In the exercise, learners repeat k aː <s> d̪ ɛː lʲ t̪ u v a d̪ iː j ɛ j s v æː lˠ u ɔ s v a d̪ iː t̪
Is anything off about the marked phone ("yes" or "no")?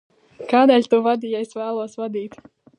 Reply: yes